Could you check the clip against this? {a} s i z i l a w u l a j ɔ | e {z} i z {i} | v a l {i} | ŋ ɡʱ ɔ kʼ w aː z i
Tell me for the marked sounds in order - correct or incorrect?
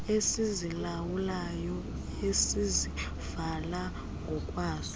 incorrect, incorrect, correct, incorrect

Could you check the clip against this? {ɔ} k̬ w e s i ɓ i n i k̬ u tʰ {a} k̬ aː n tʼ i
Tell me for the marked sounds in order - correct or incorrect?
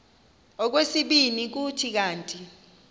correct, incorrect

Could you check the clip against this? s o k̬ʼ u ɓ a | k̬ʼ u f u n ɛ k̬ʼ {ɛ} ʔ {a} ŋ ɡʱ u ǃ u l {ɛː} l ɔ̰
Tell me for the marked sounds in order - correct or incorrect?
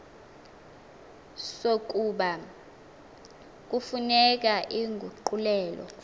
incorrect, incorrect, correct

